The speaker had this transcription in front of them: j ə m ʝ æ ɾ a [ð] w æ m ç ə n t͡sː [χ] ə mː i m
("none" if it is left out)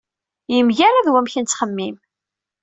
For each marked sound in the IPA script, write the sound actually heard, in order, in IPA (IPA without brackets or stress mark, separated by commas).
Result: ð, χ